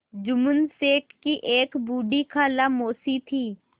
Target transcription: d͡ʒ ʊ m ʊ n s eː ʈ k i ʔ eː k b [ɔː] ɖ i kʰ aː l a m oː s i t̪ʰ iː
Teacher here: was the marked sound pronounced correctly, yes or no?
no